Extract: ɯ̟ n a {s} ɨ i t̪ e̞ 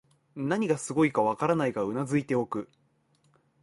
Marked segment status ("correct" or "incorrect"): incorrect